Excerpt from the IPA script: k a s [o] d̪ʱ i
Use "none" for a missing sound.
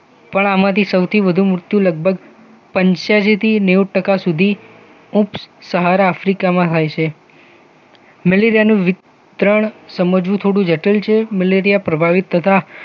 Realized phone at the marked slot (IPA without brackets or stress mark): u